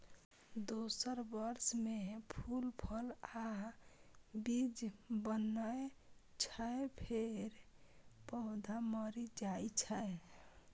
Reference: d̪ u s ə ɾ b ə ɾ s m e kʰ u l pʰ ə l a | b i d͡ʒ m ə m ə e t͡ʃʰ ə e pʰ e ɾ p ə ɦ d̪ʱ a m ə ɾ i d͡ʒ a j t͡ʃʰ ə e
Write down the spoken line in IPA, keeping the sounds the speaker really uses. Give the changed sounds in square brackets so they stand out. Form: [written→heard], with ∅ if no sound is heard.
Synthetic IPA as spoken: d̪ [u→o] s ə ɾ b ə ɾ s m e [kʰ→pʰ] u l pʰ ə l a | b i d͡ʒ [m→b] ə [m→n] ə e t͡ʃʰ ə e pʰ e ɾ p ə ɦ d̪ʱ a m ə ɾ i d͡ʒ a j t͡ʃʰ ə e